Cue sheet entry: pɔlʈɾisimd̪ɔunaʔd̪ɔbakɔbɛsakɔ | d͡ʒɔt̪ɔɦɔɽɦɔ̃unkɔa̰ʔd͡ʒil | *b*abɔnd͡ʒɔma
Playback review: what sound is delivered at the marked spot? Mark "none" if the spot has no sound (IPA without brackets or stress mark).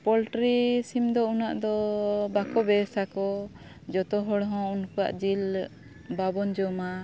b